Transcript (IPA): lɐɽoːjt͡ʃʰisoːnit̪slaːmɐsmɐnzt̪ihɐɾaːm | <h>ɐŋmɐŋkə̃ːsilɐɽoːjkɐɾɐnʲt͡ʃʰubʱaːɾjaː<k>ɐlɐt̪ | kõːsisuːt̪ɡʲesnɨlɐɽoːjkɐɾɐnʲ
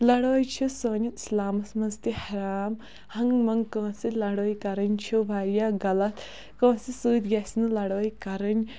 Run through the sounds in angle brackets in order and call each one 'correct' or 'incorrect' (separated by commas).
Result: correct, incorrect